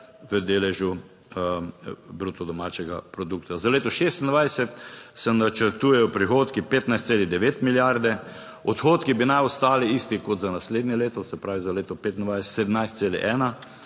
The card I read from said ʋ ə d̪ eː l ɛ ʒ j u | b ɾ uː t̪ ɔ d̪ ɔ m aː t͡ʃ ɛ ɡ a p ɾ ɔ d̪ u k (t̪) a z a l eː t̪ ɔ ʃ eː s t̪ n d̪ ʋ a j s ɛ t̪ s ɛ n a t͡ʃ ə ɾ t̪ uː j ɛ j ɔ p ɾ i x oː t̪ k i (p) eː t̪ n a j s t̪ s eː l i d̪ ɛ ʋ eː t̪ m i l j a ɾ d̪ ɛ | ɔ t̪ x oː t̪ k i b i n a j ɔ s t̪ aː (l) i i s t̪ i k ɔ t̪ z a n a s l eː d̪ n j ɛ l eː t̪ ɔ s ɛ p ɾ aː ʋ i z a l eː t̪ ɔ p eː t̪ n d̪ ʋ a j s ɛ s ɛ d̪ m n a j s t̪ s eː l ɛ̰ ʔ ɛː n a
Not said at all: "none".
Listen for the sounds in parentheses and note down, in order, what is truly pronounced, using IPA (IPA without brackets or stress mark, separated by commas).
t̪, p, l